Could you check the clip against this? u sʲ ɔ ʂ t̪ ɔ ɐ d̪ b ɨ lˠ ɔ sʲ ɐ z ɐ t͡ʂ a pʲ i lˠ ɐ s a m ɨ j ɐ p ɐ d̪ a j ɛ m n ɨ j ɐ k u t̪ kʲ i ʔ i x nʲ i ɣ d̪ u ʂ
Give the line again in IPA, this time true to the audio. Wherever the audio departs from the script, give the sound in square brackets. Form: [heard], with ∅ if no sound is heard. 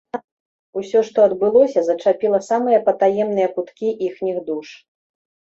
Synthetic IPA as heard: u sʲ ɔ ʂ t̪ ɔ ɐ d̪ b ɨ lˠ ɔ sʲ ɐ z ɐ t͡ʂ a pʲ i lˠ ɐ s a m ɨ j ɐ p ɐ [t̪] a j ɛ m n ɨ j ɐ k u t̪ kʲ i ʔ i x nʲ i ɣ d̪ u ʂ